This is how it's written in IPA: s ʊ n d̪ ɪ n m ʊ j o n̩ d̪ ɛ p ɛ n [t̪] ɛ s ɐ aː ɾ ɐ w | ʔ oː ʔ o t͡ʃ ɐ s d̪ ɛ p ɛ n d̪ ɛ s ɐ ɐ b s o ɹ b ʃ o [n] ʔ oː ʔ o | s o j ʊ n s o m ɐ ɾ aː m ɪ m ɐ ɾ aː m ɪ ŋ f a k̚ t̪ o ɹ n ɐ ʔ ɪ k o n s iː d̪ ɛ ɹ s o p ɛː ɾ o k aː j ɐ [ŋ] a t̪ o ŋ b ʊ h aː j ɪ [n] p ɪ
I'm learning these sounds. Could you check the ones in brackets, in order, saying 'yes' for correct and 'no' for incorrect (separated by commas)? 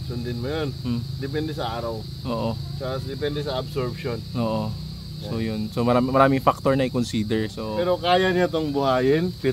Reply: no, yes, no, yes